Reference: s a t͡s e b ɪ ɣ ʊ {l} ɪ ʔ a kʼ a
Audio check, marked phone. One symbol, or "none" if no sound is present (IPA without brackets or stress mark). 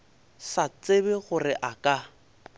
r